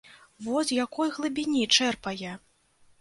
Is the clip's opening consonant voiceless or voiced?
voiced